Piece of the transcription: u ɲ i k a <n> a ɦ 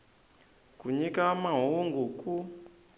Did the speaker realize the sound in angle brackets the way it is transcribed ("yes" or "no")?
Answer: no